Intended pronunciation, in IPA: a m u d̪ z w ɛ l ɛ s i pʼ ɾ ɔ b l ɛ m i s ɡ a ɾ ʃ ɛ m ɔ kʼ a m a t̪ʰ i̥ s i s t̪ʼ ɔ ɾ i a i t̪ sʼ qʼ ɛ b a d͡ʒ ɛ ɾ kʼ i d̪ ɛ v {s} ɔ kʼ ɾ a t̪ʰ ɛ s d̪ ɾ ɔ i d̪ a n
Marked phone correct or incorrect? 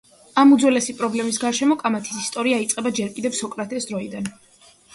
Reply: correct